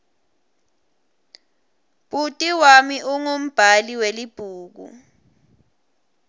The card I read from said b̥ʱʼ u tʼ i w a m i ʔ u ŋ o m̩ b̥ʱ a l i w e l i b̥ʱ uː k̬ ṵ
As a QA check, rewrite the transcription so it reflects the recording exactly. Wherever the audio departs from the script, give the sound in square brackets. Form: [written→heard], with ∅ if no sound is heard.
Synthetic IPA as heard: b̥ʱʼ u tʼ i w a m i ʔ u ŋ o m̩ b̥ʱ a l i w e l i b̥ʱ uː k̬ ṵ